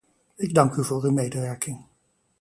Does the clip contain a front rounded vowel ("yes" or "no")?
yes